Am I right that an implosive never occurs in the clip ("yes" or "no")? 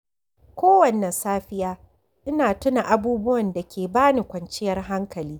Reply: yes